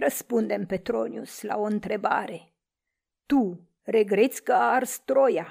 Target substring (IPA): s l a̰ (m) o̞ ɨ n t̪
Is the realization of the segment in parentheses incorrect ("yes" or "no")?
yes